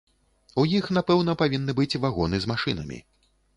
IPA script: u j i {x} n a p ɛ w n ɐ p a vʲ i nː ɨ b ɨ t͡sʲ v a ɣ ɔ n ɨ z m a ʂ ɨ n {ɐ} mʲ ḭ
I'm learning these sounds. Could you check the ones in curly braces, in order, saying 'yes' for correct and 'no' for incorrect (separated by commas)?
yes, yes